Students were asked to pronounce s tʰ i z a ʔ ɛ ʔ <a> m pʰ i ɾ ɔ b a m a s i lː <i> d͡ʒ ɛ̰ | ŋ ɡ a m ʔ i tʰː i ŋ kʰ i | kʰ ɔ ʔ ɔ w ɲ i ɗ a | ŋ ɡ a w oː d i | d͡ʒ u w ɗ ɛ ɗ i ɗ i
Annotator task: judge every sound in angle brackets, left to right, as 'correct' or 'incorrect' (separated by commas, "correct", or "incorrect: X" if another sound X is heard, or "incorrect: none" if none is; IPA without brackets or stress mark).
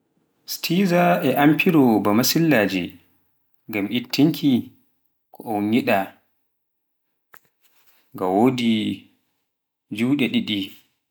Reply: correct, incorrect: a